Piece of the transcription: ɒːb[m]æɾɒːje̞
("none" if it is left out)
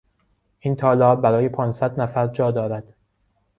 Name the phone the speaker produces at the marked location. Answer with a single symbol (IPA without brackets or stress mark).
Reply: b